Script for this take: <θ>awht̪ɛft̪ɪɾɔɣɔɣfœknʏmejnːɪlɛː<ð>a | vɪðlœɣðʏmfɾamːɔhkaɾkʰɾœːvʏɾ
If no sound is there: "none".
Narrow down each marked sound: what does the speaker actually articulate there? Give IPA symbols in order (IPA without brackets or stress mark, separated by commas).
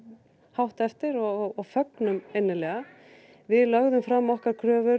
h, ɣ